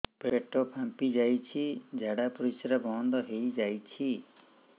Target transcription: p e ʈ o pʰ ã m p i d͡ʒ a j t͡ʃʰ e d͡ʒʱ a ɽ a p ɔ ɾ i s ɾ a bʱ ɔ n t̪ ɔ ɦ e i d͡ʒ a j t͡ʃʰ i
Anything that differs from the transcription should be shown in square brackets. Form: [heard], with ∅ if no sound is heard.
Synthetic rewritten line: p e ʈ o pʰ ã m p i d͡ʒ a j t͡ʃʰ [i] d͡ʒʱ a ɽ a p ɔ ɾ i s ɾ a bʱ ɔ n [d̪] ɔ ɦ e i d͡ʒ a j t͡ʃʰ i